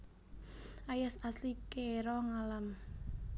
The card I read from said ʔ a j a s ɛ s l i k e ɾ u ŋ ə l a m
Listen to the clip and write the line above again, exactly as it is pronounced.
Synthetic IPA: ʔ a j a s a s l i k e ɾ ɔ ŋ a l a m

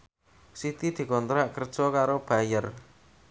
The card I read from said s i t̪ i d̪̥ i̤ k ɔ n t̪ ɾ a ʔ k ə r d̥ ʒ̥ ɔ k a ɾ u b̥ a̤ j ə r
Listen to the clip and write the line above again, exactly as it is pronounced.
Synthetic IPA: s i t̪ i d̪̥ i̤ k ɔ n t̪ ɾ a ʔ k ə r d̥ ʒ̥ ɔ k a ɾ o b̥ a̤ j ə r

